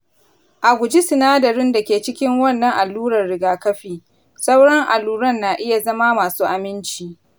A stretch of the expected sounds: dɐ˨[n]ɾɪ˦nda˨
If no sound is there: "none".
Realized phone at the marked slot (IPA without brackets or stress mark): none